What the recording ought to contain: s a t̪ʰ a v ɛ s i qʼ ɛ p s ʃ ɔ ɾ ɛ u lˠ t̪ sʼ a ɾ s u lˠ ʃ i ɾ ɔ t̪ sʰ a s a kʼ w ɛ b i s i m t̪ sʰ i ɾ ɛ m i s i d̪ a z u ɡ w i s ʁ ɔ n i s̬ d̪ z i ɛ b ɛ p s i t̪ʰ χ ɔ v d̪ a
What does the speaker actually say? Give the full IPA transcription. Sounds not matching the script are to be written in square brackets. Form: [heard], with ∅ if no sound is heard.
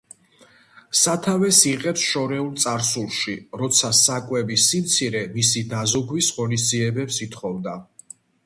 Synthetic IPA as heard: s a t̪ʰ a v ɛ s i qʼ ɛ p s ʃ ɔ ɾ ɛ u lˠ t̪ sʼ a ɾ s u lˠ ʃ i ɾ ɔ t̪ sʰ a s a kʼ w ɛ b i s i m t̪ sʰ i ɾ ɛ m i s i d̪ a z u ɡ w i s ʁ ɔ n i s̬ d̪ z i ɛ b ɛ p s i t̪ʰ χ ɔ v d̪ a